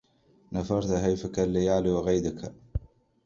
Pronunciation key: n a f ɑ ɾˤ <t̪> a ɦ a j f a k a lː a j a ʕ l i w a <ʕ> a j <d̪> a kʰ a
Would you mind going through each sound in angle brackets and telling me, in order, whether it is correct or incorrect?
correct, incorrect, correct

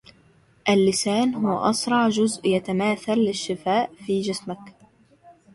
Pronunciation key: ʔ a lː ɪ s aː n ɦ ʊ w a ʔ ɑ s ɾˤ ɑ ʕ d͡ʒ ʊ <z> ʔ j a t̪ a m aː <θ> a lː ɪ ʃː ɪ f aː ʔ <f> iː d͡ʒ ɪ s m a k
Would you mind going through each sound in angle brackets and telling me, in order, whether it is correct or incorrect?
correct, correct, correct

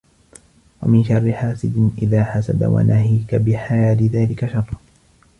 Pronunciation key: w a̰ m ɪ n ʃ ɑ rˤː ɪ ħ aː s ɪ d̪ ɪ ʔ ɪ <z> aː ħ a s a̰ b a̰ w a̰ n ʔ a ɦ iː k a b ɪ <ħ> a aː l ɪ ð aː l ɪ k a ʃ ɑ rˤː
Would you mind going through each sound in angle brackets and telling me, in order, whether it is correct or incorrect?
incorrect, correct

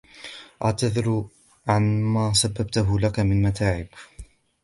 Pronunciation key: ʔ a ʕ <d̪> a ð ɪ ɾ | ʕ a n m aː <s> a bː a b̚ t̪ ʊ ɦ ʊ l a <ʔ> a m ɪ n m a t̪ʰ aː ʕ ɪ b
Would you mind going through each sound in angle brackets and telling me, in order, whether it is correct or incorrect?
incorrect, correct, incorrect

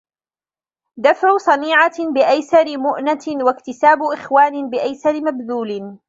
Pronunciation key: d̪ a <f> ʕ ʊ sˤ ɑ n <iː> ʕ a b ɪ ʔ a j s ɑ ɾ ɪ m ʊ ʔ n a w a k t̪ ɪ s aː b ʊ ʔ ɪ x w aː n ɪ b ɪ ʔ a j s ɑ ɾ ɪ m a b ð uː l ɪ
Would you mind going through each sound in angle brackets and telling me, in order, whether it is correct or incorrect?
correct, correct

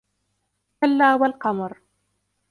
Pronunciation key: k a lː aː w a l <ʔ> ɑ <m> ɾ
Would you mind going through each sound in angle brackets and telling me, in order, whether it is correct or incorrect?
incorrect, correct

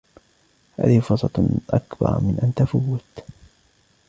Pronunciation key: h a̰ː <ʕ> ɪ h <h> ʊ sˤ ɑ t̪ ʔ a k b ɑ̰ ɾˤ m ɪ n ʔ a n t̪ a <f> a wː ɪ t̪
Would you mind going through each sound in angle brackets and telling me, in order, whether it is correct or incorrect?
incorrect, incorrect, correct

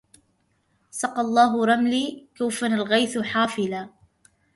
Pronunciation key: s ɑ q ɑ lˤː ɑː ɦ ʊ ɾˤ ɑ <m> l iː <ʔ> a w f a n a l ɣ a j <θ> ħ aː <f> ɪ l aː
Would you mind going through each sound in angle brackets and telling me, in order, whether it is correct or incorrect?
correct, incorrect, correct, correct

